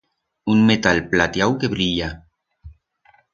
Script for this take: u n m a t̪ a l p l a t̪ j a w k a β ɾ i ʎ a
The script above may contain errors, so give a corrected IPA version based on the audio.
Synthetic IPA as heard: u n m e t̪ a l p l a t̪ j a w k e β ɾ i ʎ a